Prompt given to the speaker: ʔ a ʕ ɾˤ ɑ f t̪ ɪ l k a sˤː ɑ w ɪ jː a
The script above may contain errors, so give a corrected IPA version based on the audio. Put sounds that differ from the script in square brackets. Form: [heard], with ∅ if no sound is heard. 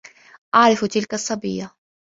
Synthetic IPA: ʔ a ʕ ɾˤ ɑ f t̪ ɪ l k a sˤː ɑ [b] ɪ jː a